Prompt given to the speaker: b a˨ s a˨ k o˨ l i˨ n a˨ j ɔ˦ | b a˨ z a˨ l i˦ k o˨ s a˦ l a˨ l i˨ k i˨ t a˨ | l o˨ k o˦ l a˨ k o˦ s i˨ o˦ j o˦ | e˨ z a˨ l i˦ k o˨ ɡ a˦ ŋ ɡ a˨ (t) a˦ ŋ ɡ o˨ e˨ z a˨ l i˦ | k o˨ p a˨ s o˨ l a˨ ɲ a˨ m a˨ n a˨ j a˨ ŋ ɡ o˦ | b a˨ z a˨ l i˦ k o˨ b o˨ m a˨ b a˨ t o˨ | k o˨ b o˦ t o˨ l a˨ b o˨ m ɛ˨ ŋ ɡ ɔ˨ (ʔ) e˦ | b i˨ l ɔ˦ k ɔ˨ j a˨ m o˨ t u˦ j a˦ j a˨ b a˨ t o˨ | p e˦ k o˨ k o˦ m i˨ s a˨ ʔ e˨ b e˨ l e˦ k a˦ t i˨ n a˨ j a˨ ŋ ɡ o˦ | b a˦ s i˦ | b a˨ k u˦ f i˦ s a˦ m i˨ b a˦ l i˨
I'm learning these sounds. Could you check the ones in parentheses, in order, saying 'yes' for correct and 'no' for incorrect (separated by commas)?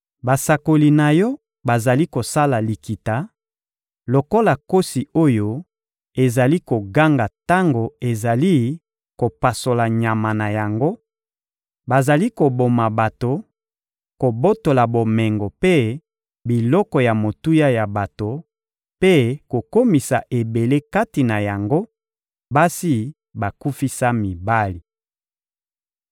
yes, no